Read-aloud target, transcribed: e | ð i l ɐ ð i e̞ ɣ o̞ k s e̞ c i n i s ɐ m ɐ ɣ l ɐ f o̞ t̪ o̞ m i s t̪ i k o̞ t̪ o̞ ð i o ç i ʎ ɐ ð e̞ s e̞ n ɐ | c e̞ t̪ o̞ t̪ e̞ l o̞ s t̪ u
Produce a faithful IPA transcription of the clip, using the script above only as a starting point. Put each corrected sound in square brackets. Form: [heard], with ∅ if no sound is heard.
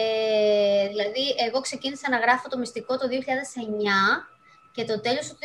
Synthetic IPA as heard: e | ð i l ɐ ð i e̞ ɣ o̞ k s e̞ c i n i s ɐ [n] ɐ ɣ [ɾ] ɐ f o̞ t̪ o̞ m i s t̪ i k o̞ t̪ o̞ ð i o ç i ʎ ɐ ð e̞ s e̞ [ɲ] ɐ | c e̞ t̪ o̞ t̪ e̞ l o̞ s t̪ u